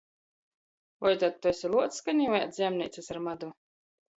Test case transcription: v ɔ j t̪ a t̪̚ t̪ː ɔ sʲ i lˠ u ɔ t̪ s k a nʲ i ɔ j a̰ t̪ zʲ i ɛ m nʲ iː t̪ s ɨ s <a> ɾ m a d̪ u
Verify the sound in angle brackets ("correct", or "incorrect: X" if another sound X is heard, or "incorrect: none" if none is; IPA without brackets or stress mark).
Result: correct